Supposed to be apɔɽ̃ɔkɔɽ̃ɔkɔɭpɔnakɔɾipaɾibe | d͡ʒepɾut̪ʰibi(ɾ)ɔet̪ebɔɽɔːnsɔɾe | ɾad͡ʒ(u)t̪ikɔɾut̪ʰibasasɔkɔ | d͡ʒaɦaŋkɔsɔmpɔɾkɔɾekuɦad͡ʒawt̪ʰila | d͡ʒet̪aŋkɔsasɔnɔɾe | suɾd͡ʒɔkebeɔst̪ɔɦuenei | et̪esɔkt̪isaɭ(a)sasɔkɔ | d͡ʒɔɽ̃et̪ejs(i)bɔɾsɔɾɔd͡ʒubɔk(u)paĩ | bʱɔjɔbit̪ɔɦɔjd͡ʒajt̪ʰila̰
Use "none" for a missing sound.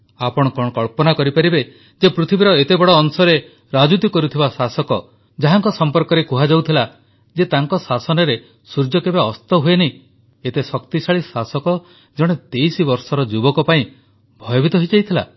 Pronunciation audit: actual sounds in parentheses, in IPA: ɾ, u, i, i, ɔ

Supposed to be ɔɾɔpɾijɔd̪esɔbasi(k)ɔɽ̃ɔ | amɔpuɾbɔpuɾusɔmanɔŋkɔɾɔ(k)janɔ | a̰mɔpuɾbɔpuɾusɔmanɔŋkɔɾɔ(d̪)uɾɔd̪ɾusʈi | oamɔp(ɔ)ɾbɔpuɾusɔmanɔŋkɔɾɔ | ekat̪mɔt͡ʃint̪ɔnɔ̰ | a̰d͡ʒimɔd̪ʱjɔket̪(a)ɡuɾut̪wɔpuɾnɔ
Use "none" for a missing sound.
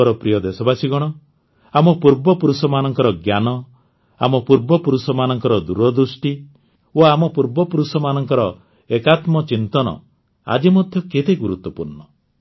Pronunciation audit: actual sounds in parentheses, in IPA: ɡ, ɡ, d̪, u, e

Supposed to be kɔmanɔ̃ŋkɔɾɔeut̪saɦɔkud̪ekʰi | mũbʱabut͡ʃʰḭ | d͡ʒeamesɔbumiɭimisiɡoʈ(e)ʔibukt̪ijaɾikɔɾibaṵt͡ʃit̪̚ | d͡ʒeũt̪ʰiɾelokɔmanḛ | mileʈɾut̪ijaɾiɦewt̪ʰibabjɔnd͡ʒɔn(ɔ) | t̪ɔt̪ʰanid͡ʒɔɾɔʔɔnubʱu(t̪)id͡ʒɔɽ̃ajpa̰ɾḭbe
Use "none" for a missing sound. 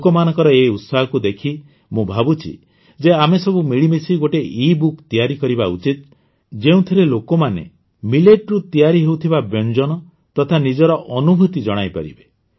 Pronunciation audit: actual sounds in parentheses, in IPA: e, ɔ, t̪

